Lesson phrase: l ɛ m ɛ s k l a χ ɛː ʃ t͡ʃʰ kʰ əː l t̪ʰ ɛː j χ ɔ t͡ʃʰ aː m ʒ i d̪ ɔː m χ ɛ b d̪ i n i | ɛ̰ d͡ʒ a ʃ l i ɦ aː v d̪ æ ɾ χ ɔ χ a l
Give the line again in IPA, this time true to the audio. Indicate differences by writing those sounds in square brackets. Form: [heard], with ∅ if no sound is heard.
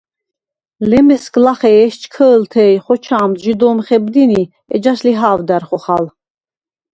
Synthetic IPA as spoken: l ɛ m ɛ s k l a χ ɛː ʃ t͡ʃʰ kʰ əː l t̪ʰ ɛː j χ ɔ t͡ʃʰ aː m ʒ i d̪ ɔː m χ ɛ b d̪ i n i | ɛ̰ d͡ʒ a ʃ l i ɦ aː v d̪ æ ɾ χ ɔ χ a l

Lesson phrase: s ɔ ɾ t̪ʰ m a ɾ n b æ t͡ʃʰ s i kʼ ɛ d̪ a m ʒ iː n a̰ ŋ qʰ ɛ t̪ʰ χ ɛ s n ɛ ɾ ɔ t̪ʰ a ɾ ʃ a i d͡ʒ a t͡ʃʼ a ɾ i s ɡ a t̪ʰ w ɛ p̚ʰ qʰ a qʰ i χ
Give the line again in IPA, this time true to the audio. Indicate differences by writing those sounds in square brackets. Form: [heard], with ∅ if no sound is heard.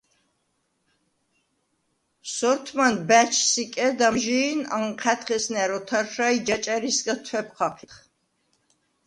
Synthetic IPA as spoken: s ɔ ɾ t̪ʰ m a [∅] n b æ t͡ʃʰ s i kʼ ɛ d̪ a m ʒ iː n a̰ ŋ qʰ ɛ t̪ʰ χ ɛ s n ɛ ɾ ɔ t̪ʰ a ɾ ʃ a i d͡ʒ a t͡ʃʼ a ɾ i s ɡ a t̪ʰ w ɛ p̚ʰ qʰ a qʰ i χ

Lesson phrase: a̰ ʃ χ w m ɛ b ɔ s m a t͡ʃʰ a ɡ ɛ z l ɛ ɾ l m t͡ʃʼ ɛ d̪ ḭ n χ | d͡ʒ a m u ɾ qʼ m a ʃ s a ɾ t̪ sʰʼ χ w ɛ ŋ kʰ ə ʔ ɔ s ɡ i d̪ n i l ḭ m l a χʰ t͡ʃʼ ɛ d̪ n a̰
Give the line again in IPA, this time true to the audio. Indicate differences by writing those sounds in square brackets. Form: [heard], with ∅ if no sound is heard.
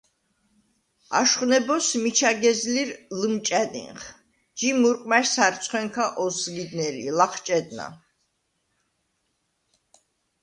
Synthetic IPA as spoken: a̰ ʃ χ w [n] ɛ b ɔ s m [i] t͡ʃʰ a ɡ ɛ z l [i] ɾ l m t͡ʃʼ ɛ d̪ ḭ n χ | d͡ʒ [i] m u ɾ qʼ m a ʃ s a ɾ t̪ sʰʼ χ w ɛ ŋ kʰ [a] ʔ ɔ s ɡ i d̪ n [ɛ] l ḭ [∅] l a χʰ t͡ʃʼ ɛ d̪ n a̰

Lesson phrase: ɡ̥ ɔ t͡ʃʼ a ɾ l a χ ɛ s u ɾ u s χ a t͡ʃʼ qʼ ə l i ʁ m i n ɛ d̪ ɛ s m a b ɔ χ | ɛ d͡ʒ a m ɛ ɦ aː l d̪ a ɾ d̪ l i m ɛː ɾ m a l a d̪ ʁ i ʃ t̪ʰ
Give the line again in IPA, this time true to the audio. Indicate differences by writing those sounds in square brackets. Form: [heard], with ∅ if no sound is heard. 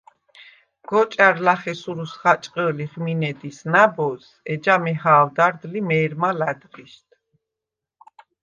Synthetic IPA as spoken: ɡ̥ ɔ t͡ʃʼ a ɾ l a χ ɛ s u ɾ u s χ a t͡ʃʼ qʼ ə l i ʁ m i n ɛ d̪ [i] s [n] a b ɔ [s] | ɛ d͡ʒ a m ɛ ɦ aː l d̪ a ɾ d̪ l i m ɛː ɾ m a l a d̪ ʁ i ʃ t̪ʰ

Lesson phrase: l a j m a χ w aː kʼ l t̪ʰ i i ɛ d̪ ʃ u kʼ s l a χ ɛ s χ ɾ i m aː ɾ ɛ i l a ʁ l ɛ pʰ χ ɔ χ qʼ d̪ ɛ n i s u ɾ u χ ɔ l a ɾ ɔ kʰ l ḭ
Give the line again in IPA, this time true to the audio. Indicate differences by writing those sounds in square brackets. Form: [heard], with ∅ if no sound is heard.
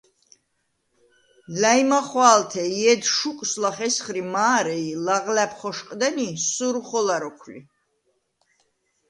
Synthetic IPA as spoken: l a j m a χ w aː [∅] l t̪ʰ [ɛ] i ɛ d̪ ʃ u kʼ s l a χ ɛ s χ ɾ i m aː ɾ ɛ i l a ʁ l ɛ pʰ χ ɔ [ʃ] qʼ d̪ ɛ n i s u ɾ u χ ɔ l a ɾ ɔ kʰ l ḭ

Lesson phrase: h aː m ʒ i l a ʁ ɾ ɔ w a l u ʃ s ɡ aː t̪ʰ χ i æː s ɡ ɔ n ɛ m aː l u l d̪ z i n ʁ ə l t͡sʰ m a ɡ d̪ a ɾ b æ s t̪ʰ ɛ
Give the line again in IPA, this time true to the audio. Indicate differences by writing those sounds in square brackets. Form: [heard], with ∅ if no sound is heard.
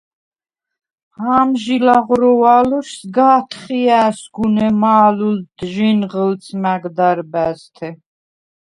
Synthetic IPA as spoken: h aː m ʒ i l a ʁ ɾ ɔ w a l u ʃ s ɡ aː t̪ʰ χ i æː s ɡ [u] n ɛ m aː l u l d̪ [ʒ] i n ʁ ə l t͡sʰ m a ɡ d̪ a ɾ b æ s t̪ʰ ɛ

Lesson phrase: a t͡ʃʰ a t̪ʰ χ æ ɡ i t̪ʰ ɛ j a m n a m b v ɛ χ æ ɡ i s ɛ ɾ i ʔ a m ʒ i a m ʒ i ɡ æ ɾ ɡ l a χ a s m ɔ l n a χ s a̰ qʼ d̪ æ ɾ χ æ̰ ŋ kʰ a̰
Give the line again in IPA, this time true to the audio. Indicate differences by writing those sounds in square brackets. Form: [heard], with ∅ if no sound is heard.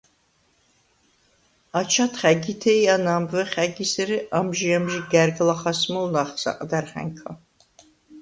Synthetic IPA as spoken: a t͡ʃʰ a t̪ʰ χ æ ɡ i t̪ʰ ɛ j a [∅] n a m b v ɛ χ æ ɡ i s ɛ ɾ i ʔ a m ʒ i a m ʒ i ɡ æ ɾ ɡ l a χ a s m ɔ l n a χ s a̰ qʼ d̪ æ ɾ χ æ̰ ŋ kʰ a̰

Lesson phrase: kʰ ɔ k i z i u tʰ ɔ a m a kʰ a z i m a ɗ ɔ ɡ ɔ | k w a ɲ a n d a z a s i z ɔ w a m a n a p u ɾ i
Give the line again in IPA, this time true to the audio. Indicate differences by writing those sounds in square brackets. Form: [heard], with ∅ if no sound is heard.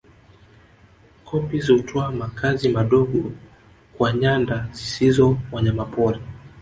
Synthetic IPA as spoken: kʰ ɔ [p] i z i u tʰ ɔ a m a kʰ a z i m a ɗ ɔ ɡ ɔ | k w a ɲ a n d a z [i] s i z ɔ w a [ɲ] a [m] a p [ɔ] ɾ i

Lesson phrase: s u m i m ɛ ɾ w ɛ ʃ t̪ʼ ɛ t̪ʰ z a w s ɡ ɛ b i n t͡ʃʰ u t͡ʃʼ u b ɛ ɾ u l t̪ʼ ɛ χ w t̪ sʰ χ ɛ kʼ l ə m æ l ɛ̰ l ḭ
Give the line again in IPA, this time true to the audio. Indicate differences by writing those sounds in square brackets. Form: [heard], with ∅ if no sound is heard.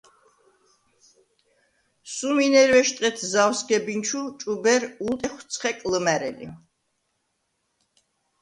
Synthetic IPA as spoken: s u m i [n] ɛ ɾ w ɛ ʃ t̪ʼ ɛ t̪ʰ z a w s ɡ ɛ b i n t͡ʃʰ u t͡ʃʼ u b ɛ ɾ u l t̪ʼ ɛ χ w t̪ sʰ χ ɛ kʼ l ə m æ [ɾ] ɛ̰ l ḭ

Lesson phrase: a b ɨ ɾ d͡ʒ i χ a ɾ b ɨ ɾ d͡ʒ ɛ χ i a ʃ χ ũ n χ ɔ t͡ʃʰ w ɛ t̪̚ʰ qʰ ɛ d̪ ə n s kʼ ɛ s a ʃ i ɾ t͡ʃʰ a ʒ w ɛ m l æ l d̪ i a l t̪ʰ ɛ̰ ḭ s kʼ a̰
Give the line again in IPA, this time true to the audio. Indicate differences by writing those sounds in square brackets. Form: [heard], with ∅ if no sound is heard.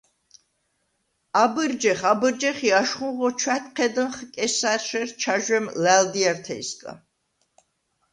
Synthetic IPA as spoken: a b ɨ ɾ d͡ʒ [ɛ] χ a [∅] b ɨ ɾ d͡ʒ ɛ χ i a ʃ χ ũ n [ʁ] ɔ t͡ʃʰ w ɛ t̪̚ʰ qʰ ɛ d̪ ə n [χ] kʼ ɛ s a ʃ [ɛ] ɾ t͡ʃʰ a ʒ w ɛ m l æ l d̪ i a [ɾ] t̪ʰ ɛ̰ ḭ s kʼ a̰

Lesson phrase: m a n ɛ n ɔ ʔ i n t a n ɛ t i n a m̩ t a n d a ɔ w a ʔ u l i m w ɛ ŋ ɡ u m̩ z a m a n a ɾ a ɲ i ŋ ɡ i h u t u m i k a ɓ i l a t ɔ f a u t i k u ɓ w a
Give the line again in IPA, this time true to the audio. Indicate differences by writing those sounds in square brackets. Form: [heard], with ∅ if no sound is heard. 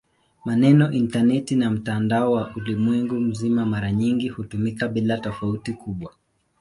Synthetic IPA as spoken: m a n ɛ n ɔ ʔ i n t a n ɛ t i n a m̩ t a n d a ɔ w a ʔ u l i m w ɛ ŋ ɡ u m̩ z [i] m a [m] a ɾ a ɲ i ŋ ɡ i h u t u m i k a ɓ i l a t ɔ f a u t i k u ɓ w a

